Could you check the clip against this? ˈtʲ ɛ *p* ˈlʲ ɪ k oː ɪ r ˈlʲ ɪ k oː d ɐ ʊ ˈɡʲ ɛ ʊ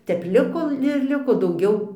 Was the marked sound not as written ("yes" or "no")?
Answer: no